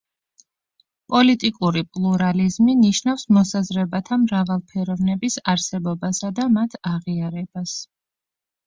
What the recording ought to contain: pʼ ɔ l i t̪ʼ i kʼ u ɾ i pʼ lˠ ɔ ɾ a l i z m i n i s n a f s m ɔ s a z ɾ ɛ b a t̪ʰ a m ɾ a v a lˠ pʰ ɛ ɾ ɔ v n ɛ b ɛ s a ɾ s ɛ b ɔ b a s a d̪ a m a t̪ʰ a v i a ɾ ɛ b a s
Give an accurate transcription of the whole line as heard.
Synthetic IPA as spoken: pʼ ɔ l i t̪ʼ i kʼ u ɾ i pʼ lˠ u ɾ a l i z m i n i ʃ n a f s m ɔ s a z ɾ ɛ b a t̪ʰ a m ɾ a v a lˠ pʰ ɛ ɾ ɔ v n ɛ b i s a ɾ s ɛ b ɔ b a s a d̪ a m a t̪ʰ a ʁ i a ɾ ɛ b a s